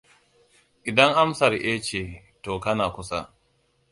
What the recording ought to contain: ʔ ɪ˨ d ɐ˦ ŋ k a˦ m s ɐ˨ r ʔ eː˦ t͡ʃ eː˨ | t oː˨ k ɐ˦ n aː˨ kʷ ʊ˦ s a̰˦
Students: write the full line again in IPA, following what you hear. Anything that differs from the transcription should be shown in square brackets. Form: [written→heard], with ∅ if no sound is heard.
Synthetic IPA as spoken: ʔ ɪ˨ d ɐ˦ ŋ [k→ʔ] a˦ m s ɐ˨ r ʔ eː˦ t͡ʃ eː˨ | t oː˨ k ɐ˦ n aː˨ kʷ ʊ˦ s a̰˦